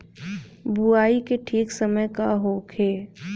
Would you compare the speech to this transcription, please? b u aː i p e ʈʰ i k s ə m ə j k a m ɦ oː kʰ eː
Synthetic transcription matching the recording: b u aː i k e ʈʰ iː k s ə m ə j k a ɦ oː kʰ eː

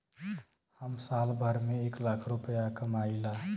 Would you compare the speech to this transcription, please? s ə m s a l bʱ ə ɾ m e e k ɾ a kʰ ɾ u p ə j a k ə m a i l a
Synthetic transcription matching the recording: h ə m s a l bʱ ə ɾ m e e k l a kʰ ɾ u p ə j a k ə m a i l a

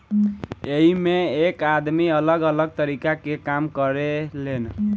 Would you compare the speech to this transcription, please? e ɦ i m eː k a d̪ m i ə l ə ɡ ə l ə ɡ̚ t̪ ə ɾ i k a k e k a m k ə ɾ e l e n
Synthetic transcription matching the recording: e ɦ i m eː k a d̪ m i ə l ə ɡ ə l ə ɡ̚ t̪ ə ɾ i k a k e k a m k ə ɾ e l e n

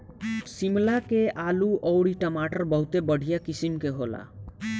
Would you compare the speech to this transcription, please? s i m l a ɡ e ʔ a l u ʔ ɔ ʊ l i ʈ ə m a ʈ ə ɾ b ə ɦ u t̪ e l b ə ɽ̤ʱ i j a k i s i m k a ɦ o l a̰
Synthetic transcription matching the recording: s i m l a k e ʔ a l u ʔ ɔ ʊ ɽ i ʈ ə m a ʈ ə ɾ b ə ɦ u t̪ e b ə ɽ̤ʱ i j a k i s i m k e ɦ o l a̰

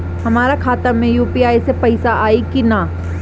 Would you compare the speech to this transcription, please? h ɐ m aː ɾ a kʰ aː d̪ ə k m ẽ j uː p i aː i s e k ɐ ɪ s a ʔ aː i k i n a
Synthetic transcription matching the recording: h ɐ m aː ɾ a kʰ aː t̪ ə m ẽ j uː p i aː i s e p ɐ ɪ s a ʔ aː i k i n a

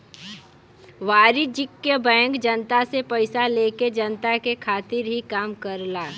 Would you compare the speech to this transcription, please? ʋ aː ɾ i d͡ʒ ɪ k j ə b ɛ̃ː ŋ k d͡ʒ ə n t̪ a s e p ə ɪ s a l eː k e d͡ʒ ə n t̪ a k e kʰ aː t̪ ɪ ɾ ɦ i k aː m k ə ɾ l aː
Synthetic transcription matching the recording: ʋ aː ɾ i d͡ʒ ɪ k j ə b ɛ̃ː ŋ k d͡ʒ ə n t̪ a s e p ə ɪ s a l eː k e d͡ʒ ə n t̪ a k e kʰ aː t̪ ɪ ɾ ɦ i k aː m k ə ɾ l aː

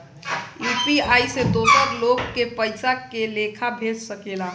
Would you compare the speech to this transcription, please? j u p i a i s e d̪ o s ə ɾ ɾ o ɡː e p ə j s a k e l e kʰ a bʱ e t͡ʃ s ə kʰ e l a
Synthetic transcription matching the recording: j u p i a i s e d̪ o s ə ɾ l o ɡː e p ə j s a k e l e kʰ a bʱ e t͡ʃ s ə k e l a

